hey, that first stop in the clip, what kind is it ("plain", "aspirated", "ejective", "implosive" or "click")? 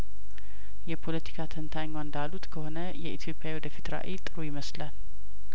aspirated